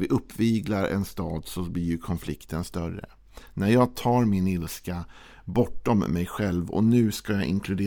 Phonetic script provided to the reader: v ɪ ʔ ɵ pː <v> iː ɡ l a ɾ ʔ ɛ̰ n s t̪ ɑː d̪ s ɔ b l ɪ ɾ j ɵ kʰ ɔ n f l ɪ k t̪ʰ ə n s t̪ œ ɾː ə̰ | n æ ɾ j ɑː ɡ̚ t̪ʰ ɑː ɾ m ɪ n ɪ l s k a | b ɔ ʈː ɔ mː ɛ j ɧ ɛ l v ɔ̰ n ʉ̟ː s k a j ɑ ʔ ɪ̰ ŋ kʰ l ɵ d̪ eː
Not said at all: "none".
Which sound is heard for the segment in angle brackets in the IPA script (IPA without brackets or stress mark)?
v